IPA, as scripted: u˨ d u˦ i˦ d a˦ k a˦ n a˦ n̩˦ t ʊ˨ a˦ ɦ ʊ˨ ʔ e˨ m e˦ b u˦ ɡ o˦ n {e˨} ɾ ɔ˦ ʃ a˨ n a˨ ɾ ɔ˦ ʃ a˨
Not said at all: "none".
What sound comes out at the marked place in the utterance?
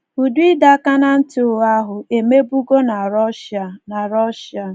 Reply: a˨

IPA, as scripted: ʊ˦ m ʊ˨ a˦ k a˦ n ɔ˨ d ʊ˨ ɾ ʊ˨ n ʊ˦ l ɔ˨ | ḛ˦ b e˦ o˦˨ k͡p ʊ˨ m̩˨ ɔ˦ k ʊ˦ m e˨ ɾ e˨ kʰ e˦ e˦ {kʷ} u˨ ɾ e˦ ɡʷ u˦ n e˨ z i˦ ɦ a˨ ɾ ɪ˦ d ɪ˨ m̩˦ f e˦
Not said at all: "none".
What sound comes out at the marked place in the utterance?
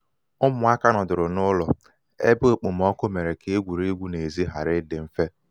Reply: ɡʷ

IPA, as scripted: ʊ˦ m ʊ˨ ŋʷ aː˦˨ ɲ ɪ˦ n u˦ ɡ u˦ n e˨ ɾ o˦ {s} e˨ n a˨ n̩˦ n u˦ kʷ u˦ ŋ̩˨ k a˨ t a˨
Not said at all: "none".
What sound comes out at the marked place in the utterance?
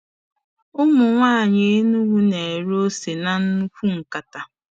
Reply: s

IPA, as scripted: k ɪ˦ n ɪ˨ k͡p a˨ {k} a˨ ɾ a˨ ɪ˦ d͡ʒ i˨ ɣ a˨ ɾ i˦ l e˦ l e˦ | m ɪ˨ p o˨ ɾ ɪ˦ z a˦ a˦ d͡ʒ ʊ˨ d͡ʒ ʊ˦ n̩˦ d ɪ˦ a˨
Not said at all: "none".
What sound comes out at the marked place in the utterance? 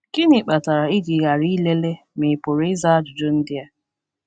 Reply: t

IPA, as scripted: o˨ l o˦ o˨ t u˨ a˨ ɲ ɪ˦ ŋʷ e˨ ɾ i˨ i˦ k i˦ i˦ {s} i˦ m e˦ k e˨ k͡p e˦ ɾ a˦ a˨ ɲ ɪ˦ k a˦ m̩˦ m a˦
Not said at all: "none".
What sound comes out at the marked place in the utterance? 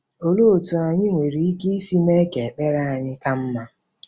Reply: s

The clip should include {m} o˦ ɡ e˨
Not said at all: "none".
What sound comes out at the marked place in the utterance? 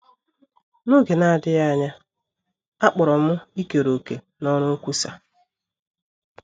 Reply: n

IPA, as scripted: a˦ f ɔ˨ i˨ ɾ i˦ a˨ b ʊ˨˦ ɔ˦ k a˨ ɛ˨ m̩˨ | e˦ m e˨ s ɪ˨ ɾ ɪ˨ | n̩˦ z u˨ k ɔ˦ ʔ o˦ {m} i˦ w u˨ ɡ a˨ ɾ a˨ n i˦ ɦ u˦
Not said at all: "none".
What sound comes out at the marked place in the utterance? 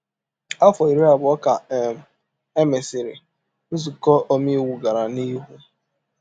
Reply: m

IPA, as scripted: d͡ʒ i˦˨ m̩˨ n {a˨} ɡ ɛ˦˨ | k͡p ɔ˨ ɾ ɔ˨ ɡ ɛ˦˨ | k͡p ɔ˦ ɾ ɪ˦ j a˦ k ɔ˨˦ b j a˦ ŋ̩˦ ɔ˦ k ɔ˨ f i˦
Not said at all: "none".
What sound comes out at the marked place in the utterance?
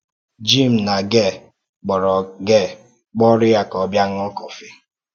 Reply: a˨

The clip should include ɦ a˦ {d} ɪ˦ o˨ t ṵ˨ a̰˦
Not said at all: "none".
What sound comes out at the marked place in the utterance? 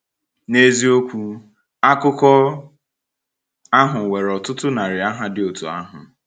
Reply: d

